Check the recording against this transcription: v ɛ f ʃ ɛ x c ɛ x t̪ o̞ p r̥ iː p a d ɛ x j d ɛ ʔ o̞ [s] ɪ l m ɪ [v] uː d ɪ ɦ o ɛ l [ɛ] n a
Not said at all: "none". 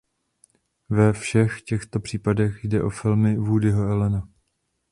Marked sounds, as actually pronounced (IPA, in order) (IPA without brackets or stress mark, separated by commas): f, v, ɛ